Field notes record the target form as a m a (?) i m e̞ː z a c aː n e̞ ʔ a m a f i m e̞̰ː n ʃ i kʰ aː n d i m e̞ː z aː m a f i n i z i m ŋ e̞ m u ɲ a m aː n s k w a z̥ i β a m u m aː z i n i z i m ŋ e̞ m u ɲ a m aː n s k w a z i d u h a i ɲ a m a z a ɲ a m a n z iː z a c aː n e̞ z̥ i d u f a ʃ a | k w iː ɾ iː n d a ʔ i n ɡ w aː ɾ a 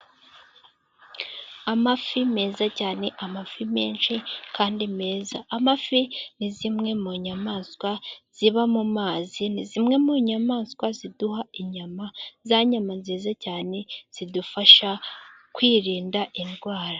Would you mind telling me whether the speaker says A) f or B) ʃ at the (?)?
A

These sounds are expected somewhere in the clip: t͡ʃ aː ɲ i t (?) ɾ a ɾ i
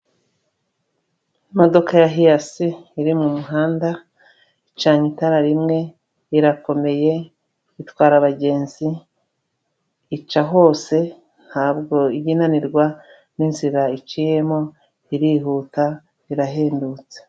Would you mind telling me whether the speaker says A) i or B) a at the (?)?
B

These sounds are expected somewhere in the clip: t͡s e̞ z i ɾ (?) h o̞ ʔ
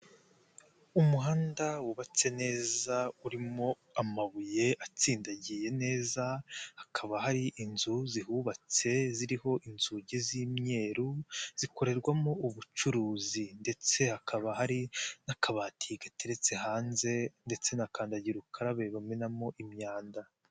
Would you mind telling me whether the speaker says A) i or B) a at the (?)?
A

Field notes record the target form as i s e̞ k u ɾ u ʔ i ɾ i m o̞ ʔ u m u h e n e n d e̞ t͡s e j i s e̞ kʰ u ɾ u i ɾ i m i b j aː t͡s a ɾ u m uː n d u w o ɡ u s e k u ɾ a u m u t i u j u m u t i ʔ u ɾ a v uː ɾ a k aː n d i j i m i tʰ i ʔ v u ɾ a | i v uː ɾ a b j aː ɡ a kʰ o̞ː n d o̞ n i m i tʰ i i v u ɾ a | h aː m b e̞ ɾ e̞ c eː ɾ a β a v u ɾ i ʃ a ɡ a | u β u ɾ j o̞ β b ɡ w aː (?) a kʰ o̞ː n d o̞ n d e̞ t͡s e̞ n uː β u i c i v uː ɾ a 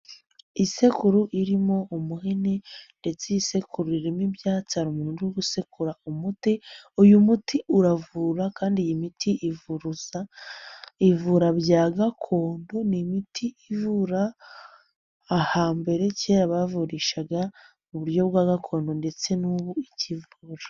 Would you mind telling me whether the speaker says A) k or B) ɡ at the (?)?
B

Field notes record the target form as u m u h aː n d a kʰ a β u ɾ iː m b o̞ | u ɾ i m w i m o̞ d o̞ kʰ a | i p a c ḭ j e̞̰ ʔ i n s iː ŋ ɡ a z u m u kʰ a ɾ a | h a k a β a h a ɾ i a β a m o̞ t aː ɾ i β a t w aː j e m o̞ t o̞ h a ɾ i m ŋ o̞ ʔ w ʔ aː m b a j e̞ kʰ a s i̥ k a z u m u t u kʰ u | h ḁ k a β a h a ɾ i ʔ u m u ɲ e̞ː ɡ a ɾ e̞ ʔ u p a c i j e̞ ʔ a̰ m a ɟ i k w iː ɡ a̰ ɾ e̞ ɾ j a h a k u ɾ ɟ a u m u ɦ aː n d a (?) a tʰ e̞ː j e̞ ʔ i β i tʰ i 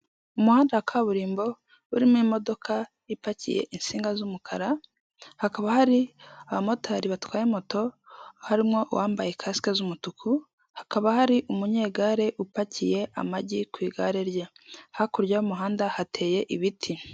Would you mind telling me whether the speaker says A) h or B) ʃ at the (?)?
A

